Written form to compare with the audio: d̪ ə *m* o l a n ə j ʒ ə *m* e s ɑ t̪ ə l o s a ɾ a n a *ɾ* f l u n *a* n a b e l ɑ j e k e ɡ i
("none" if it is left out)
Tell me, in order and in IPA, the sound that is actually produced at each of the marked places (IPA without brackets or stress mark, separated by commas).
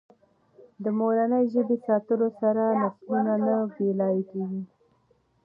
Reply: m, b, none, a